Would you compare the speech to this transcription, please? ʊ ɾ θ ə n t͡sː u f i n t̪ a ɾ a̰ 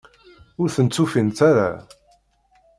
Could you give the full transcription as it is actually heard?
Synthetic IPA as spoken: ʊ ɾ θ ə n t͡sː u f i n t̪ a ɾ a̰